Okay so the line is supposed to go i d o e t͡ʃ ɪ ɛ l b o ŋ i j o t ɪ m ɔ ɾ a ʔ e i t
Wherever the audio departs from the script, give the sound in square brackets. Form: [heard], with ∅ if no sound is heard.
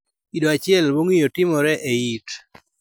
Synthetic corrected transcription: i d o [a] t͡ʃ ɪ ɛ l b o ŋ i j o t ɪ m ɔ ɾ [ɛ] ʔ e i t